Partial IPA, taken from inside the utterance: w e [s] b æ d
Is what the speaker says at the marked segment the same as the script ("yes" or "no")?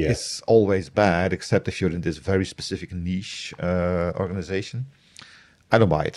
no